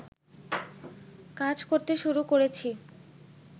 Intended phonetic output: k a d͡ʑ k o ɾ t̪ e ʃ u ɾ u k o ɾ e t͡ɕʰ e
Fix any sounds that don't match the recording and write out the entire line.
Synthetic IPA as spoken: k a d͡ʑ k o ɾ t̪ e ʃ u ɾ u k o ɾ e t͡ɕʰ i